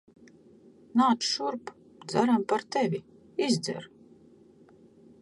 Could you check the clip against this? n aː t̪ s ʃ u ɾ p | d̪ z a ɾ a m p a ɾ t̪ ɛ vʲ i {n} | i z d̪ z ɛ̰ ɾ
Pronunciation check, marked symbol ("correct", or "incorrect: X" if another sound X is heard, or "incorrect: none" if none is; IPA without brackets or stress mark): incorrect: none